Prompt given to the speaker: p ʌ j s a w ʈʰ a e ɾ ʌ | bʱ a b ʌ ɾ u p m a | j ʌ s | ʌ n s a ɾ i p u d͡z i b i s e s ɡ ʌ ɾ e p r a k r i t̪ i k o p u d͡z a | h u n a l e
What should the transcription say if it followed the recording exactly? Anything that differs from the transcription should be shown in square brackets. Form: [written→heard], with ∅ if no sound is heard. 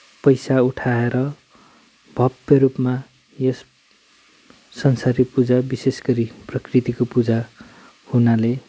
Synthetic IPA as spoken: p ʌ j s a [w→u] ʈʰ a e ɾ ʌ | bʱ [a→ʌ] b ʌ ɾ u p m a | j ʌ s | ʌ n s a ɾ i p u d͡z [i→a] b i s e s ɡ ʌ ɾ [e→i] p r [a→ʌ] k r i t̪ i k o p u d͡z a | h u n a l e